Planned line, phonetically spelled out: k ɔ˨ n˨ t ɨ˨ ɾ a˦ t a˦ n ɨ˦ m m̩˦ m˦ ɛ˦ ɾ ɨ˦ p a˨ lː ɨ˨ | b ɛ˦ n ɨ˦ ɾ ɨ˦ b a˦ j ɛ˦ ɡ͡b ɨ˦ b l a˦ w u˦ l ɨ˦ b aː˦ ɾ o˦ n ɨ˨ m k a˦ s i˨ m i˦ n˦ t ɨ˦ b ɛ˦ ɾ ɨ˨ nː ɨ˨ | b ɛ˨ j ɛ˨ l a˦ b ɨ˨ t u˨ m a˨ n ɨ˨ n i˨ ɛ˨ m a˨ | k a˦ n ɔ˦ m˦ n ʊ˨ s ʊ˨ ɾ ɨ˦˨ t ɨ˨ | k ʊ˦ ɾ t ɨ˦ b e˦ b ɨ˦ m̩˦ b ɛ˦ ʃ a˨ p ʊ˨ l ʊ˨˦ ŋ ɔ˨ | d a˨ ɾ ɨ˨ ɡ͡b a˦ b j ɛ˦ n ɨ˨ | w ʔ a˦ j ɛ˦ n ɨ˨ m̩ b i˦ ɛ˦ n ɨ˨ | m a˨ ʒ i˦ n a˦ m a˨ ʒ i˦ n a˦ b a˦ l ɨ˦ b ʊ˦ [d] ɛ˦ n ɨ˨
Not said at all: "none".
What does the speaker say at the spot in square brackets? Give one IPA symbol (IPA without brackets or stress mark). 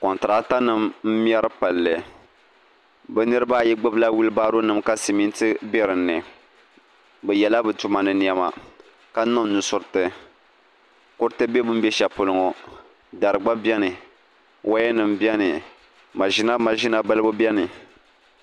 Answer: b